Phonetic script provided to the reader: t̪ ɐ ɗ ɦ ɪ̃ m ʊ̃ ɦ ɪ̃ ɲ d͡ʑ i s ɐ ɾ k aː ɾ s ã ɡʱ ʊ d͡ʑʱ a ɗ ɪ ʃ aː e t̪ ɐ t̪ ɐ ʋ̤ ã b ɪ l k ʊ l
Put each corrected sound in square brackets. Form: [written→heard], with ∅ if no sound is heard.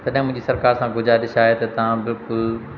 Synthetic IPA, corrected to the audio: t̪ ɐ ɗ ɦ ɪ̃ m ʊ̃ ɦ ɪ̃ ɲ d͡ʑ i s ɐ ɾ k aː ɾ s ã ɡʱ ʊ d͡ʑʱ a ɗ ɪ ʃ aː e t̪ ɐ t̪ ɐ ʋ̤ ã b ɪ l k ʊ l